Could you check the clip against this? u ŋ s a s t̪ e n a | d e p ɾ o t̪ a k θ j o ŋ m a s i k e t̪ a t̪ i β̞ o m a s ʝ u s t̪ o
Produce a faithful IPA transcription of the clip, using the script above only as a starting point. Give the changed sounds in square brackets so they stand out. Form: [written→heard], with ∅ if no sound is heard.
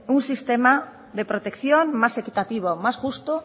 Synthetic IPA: u ŋ s [a→i] s t̪ e [n→m] a | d e p ɾ o t̪ [a→e] k θ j o ŋ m a s [i→e] k [e→i] t̪ a t̪ i β̞ o m a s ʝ u s t̪ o